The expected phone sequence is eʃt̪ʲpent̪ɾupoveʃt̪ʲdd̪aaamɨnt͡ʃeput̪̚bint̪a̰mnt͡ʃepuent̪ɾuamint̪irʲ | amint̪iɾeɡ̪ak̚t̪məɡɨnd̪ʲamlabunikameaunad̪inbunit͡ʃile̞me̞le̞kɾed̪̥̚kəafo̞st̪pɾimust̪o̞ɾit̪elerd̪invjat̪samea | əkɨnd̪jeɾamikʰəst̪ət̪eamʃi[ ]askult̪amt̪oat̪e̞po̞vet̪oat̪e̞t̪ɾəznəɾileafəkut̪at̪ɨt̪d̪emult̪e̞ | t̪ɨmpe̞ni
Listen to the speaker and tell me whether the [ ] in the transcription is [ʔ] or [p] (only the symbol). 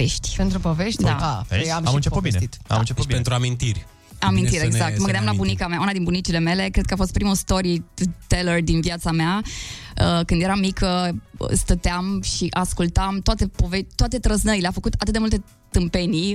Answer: ʔ